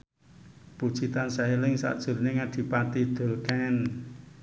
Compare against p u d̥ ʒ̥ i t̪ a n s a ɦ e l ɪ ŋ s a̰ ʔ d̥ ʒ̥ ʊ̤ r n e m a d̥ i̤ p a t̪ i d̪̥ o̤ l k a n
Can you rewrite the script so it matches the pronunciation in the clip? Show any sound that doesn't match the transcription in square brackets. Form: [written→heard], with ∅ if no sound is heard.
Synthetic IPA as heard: p u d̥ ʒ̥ i t̪ a n s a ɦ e l ɪ ŋ s a̰ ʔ d̥ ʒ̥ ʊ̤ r n e [m→ŋ] a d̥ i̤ p a t̪ i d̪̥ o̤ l k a n

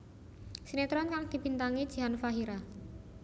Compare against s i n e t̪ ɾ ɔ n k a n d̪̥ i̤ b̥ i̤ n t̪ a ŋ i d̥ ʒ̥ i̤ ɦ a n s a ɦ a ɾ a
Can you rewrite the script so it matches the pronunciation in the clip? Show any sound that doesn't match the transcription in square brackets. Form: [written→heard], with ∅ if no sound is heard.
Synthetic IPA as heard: s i n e t̪ ɾ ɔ n k a [n→ŋ] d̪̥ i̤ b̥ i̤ n t̪ a ŋ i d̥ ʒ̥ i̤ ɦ a n [s→f] a ɦ [a→i] ɾ a

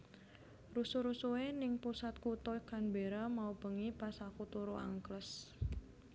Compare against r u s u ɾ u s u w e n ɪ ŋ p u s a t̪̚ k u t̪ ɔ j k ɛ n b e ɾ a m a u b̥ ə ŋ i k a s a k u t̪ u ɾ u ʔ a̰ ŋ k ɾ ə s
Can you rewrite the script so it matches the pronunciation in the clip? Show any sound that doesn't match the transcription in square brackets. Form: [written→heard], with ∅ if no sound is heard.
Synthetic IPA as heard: r u s u ɾ u s u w e n ɪ ŋ p u s a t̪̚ k u t̪ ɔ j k [ɛ→a] n b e ɾ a m a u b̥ ə ŋ i [k→p] a s a k u t̪ u ɾ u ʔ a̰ ŋ k [ɾ→l] ə s

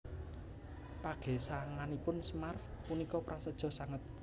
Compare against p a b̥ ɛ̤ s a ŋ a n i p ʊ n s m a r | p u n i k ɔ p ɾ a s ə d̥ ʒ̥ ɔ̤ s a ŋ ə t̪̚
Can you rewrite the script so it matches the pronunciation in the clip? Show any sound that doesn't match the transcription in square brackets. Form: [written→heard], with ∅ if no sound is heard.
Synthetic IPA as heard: p a [b̥→ɡ̥] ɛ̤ s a ŋ a n i p ʊ n s m a r | p u n i k ɔ p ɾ a s ə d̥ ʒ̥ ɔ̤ s a ŋ ə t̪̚

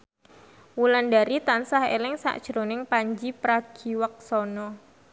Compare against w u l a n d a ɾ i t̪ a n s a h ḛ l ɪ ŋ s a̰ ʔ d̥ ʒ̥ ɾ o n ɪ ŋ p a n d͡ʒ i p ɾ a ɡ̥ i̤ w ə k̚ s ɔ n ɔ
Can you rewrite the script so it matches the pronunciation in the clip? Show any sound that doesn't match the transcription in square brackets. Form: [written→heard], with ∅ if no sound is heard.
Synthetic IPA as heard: w u l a n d a ɾ i t̪ a n s a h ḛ l ɪ ŋ s a̰ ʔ d̥ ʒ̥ ɾ o n ɪ ŋ p a [n→ɲ] d͡ʒ i p ɾ a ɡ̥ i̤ w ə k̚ s ɔ n ɔ

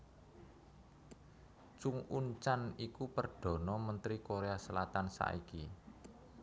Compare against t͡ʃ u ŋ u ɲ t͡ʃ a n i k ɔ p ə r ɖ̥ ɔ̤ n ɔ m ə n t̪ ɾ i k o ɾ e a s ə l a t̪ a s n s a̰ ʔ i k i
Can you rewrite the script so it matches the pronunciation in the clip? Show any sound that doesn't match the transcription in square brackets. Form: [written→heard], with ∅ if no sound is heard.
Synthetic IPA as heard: t͡ʃ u ŋ u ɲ t͡ʃ a n i k [ɔ→u] p ə r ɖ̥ ɔ̤ n ɔ m ə n t̪ ɾ i k o ɾ e a s ə l a t̪ a [s→∅] n s a̰ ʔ i k i

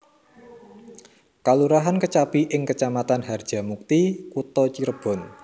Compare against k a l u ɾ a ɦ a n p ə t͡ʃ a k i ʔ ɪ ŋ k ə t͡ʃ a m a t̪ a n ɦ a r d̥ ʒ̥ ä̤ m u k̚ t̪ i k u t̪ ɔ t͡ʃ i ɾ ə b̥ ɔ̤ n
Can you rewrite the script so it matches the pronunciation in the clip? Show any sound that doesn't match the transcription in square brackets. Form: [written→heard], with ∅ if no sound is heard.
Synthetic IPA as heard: k a l u ɾ a ɦ a n [p→k] ə t͡ʃ a [k→p] i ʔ ɪ ŋ k ə t͡ʃ a m a t̪ a n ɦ a r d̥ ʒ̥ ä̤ m u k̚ t̪ i k u t̪ ɔ t͡ʃ i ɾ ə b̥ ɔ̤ n

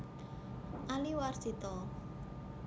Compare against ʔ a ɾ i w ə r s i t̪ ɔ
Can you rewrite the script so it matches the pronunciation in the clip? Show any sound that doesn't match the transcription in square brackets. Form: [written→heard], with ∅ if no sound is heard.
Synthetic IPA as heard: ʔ a [ɾ→l] i w [ə→a] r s i t̪ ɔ

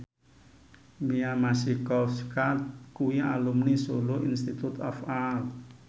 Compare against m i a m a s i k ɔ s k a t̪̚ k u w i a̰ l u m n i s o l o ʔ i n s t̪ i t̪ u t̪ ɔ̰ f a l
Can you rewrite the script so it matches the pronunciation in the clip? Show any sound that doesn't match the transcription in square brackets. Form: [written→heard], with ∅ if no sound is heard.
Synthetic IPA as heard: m i a m a s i k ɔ s k a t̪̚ k u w i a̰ l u m n i s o l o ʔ i n s t̪ i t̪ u t̪ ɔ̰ f a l

